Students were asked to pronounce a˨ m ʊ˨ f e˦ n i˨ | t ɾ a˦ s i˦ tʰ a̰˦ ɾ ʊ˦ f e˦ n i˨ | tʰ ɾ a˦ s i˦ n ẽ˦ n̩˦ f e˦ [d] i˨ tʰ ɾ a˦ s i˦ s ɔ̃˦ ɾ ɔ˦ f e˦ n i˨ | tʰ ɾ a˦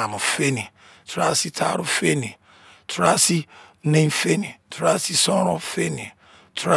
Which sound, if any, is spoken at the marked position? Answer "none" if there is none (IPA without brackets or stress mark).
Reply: n